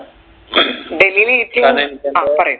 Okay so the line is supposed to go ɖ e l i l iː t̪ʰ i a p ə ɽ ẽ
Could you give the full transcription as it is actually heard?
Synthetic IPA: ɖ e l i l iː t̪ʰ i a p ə ɾ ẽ